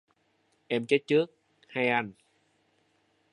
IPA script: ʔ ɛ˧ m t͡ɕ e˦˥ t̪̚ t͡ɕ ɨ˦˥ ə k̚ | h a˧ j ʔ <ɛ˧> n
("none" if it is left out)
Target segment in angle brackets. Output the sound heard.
a˧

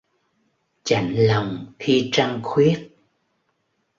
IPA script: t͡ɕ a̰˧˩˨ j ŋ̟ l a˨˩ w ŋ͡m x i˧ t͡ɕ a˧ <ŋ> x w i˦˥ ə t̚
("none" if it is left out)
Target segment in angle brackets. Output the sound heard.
ŋ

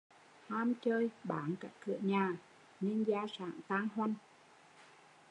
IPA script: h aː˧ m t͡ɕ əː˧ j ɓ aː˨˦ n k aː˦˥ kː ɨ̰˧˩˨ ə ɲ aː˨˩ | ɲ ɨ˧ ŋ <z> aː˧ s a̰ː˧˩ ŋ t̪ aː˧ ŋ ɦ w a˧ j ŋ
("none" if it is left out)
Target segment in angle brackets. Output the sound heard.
z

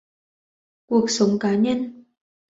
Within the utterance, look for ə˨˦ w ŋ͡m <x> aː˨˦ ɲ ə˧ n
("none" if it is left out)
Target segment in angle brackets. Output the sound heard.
k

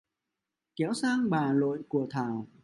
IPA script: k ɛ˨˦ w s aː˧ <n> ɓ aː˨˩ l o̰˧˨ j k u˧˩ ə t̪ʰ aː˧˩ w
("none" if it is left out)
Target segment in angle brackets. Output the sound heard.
ŋ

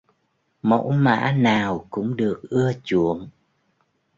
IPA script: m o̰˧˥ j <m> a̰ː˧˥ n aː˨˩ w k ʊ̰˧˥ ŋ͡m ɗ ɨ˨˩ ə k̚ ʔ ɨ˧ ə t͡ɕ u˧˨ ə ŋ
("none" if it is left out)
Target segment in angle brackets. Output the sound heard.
m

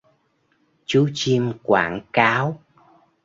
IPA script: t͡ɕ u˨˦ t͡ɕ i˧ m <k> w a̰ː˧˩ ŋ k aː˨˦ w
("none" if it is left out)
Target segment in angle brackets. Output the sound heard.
k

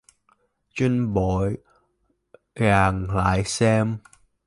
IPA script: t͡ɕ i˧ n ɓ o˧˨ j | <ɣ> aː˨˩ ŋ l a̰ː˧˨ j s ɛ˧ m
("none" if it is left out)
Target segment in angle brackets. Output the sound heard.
ɣ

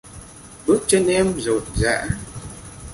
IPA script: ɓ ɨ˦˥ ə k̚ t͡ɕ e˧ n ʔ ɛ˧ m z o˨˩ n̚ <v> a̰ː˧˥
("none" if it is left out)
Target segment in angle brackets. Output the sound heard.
z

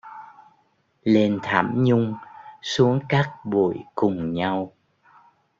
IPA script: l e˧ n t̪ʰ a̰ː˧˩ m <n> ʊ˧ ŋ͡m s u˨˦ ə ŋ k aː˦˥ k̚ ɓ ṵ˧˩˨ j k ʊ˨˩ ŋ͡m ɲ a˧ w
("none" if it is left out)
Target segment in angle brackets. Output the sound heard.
ɲ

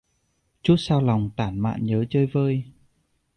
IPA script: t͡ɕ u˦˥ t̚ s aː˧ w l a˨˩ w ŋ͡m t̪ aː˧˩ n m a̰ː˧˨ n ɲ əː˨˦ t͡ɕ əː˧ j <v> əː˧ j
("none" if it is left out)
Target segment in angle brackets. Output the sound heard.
v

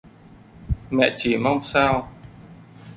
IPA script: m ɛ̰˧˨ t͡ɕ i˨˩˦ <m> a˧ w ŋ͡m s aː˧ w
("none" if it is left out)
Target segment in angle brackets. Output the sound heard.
m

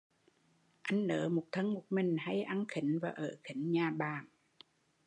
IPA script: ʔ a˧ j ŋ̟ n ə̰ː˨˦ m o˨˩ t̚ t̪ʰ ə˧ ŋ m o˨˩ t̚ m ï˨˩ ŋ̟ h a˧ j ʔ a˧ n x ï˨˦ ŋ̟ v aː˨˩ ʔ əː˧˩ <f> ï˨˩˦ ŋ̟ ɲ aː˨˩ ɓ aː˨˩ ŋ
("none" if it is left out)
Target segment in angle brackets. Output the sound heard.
x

